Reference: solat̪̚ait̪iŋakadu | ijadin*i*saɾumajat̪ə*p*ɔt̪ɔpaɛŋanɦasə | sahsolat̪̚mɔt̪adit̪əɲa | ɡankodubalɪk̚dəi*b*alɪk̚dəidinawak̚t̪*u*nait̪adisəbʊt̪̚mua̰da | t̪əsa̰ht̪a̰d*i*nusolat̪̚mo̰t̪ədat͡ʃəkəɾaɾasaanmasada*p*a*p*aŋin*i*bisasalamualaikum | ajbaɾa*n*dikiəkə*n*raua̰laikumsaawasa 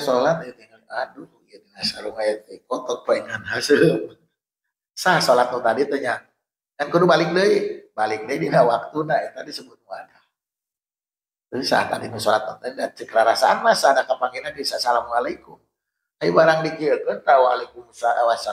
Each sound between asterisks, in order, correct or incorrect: incorrect: a, incorrect: k, correct, correct, correct, incorrect: k, correct, incorrect: a, incorrect: ŋ, correct

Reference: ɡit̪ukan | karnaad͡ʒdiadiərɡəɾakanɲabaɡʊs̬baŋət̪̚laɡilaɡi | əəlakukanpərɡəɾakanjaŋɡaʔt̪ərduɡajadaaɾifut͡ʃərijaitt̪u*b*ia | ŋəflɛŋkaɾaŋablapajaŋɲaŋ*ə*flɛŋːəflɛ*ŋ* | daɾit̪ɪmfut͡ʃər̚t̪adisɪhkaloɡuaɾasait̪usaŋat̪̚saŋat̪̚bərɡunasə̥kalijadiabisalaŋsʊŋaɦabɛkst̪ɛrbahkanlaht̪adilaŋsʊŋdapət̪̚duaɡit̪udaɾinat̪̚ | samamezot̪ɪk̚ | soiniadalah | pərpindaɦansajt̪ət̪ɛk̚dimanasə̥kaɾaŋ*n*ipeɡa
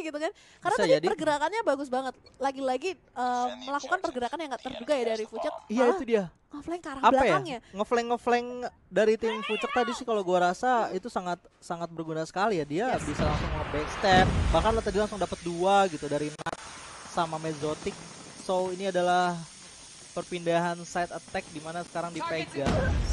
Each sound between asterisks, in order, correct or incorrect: incorrect: d, correct, correct, incorrect: d

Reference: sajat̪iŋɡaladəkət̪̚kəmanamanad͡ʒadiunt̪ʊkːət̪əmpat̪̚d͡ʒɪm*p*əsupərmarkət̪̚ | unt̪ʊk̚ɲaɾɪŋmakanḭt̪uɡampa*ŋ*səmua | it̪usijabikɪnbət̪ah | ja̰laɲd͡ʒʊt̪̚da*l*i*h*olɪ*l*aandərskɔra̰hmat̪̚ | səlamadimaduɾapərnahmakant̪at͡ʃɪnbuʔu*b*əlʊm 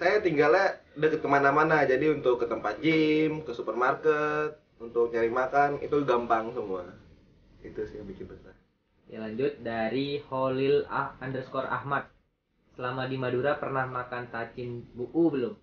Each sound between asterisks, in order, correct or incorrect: incorrect: k, correct, incorrect: ɾ, correct, correct, correct

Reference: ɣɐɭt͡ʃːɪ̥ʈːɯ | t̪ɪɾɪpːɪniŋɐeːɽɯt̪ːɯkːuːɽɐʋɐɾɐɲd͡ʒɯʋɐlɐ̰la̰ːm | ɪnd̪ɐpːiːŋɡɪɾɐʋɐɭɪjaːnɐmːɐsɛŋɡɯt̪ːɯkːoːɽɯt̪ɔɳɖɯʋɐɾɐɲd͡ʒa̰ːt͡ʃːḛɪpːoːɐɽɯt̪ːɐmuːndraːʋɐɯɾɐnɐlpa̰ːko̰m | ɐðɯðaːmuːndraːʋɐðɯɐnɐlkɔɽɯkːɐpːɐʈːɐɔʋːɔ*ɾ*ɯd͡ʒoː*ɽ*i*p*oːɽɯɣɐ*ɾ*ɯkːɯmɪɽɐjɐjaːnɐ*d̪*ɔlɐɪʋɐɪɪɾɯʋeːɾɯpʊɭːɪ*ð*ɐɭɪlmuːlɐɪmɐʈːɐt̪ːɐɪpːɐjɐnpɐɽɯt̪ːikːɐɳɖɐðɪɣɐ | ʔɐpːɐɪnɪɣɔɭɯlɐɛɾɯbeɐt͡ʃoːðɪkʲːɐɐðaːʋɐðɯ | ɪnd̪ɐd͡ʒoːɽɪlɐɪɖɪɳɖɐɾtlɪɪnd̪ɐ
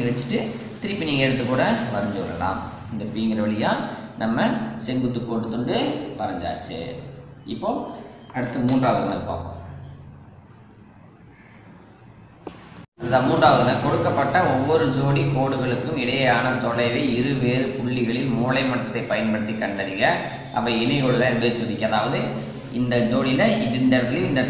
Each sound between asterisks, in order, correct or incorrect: correct, correct, incorrect: k, incorrect: ɭ, incorrect: t̪, incorrect: ɣ

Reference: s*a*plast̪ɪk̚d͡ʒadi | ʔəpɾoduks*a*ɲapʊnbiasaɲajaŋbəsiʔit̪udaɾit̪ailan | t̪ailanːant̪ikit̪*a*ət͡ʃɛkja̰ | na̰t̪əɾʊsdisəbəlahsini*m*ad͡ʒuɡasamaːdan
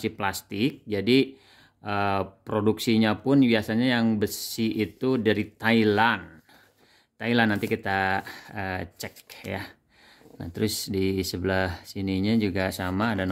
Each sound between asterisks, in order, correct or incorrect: incorrect: i, incorrect: i, correct, incorrect: ɲ

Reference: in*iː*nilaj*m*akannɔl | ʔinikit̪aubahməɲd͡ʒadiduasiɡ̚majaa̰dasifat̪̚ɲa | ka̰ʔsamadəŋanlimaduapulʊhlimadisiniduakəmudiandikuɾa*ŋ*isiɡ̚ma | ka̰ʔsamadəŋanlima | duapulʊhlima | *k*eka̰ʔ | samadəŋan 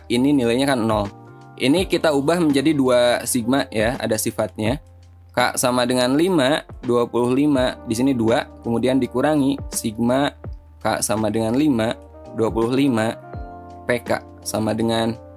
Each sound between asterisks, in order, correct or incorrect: incorrect: i, incorrect: ɲ, correct, incorrect: p

